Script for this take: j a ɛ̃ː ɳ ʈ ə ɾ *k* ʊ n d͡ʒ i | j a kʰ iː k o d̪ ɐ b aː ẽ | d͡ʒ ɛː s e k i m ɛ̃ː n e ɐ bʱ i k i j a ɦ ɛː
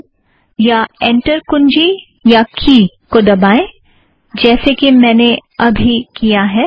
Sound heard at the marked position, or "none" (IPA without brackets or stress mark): k